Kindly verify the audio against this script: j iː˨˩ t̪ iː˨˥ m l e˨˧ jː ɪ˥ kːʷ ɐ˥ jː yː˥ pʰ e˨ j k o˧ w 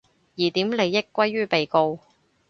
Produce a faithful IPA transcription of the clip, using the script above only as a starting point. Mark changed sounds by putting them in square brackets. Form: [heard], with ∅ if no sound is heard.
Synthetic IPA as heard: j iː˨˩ t̪ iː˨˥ m l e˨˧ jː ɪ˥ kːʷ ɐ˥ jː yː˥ [p] e˨ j k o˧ w